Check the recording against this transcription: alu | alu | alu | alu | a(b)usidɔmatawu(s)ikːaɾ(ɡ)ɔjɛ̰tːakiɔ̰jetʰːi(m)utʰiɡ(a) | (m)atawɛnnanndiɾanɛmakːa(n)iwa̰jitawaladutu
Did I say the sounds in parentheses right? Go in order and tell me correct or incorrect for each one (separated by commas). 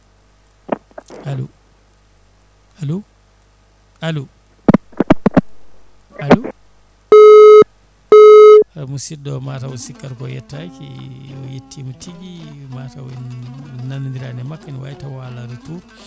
incorrect, correct, incorrect, correct, incorrect, correct, correct